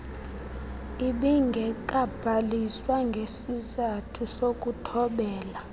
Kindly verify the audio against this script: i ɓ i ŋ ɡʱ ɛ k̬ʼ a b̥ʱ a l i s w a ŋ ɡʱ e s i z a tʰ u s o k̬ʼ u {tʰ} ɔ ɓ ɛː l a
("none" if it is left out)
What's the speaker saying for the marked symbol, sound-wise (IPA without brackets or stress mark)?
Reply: tʰ